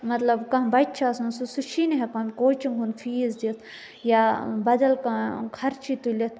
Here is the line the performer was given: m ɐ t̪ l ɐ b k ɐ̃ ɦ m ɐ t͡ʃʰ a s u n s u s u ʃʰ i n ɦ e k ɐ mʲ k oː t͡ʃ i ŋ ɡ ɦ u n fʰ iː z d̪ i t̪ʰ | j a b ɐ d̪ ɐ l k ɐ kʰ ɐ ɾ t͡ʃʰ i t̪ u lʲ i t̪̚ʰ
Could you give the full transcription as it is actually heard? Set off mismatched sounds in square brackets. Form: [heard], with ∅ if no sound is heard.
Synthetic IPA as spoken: m ɐ t̪ l ɐ b k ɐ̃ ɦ [b] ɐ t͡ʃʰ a s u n s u s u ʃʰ i n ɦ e k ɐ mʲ k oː t͡ʃ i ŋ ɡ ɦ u n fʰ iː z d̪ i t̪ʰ | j a b ɐ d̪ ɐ l k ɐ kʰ ɐ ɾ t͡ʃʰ i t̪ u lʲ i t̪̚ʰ